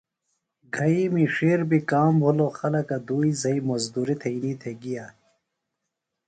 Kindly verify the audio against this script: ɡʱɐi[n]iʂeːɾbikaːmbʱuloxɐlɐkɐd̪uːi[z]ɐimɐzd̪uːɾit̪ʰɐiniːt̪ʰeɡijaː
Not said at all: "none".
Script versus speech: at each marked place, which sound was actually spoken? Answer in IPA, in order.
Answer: m, z

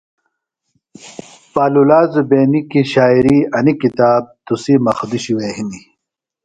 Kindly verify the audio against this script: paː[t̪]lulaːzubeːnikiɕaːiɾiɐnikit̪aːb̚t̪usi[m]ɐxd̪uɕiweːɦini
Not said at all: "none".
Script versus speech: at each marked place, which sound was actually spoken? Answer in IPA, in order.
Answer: none, m

